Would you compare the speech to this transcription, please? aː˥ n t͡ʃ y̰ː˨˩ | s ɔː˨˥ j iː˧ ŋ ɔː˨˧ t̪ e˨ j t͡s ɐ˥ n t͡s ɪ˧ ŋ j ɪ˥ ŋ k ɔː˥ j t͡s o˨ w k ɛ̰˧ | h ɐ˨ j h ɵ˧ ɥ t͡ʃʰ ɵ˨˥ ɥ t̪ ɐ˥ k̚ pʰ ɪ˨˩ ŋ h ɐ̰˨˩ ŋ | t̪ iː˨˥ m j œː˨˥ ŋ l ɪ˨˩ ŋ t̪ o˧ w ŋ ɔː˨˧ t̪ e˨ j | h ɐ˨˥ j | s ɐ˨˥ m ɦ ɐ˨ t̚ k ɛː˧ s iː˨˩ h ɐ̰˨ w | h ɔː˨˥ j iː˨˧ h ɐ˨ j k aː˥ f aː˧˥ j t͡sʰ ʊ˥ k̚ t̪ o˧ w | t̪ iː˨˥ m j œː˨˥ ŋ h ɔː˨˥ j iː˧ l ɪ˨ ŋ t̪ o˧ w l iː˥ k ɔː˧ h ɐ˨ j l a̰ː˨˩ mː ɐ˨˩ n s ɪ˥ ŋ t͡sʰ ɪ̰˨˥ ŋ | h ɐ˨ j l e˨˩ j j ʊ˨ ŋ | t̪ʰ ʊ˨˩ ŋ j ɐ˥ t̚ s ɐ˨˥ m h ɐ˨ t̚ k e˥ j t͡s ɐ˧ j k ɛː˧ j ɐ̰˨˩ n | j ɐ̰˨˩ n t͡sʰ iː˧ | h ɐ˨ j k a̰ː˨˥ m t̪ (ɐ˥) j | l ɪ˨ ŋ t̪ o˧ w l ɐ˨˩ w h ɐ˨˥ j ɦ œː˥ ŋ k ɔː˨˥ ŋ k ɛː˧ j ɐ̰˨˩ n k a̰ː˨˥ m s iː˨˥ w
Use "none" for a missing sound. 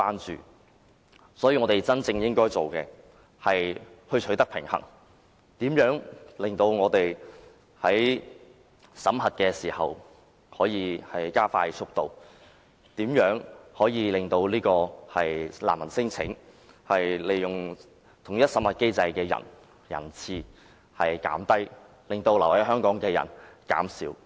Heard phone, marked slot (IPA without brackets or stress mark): ɐ˥